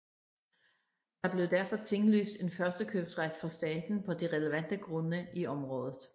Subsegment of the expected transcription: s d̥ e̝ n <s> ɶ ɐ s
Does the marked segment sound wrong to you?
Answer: yes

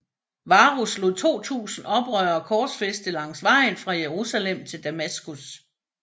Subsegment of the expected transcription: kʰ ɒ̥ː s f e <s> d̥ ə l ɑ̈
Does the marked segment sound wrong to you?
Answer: no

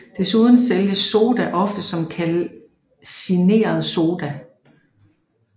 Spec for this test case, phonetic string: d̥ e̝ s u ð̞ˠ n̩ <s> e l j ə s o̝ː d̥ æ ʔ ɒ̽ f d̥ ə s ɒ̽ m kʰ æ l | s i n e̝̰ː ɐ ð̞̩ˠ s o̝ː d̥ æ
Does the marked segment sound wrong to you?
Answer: no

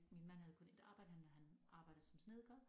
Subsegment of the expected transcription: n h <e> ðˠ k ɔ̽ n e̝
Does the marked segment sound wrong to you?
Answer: yes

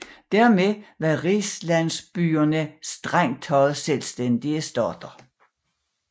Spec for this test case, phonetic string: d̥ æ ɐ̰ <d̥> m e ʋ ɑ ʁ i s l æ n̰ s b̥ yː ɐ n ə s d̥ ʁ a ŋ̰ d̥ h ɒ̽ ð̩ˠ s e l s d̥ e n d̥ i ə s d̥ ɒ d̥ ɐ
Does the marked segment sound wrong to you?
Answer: yes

